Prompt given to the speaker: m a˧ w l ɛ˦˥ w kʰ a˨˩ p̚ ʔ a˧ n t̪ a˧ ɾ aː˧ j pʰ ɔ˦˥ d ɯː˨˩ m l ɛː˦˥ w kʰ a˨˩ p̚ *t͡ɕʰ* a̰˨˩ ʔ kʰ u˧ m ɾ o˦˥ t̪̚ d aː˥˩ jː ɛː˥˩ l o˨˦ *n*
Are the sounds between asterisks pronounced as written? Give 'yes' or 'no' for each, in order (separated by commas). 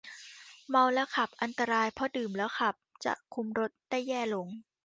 no, no